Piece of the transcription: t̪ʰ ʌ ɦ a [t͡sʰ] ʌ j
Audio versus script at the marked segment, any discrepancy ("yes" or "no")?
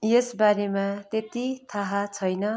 no